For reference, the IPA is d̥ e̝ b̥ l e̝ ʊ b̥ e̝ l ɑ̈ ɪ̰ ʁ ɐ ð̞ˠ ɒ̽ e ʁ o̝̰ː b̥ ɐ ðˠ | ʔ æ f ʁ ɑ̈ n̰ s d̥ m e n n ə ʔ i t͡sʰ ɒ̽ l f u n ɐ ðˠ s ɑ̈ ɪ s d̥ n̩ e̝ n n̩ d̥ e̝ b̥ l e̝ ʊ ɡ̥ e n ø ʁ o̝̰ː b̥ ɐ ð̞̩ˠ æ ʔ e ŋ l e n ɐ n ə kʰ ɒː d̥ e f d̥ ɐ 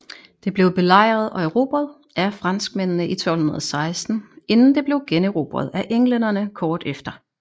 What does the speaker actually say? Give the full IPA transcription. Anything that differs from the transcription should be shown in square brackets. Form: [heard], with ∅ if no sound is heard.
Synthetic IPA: d̥ e̝ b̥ l e̝ ʊ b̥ e̝ l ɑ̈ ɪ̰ ʁ ɐ ð̞ˠ ɒ̽ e ʁ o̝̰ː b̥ ɐ ðˠ | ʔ æ f ʁ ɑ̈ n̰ s [ɡ̥] m e n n ə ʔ i t͡sʰ ɒ̽ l [h] u n ɐ ðˠ s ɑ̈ ɪ s d̥ n̩ e̝ n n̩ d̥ e̝ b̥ l e̝ ʊ ɡ̥ e n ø ʁ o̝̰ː b̥ ɐ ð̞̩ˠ æ ʔ e ŋ l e n ɐ n ə kʰ ɒː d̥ e f d̥ ɐ